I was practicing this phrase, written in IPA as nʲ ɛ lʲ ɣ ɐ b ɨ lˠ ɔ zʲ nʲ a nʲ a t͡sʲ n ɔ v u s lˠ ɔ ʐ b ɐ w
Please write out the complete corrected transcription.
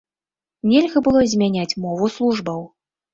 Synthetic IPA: nʲ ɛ lʲ ɣ ɐ b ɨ lˠ ɔ zʲ mʲ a nʲ a t͡sʲ m ɔ v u s lˠ u ʐ b ɐ w